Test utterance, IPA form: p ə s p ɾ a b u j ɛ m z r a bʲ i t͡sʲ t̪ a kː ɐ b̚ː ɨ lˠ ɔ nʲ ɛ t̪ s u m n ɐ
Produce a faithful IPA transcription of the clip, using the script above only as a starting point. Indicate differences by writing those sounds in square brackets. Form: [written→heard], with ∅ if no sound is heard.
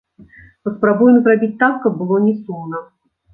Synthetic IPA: p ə s p ɾ a b u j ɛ m z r a bʲ i t͡sʲ t̪ a kː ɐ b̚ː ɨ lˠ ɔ nʲ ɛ [t̪→∅] s u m n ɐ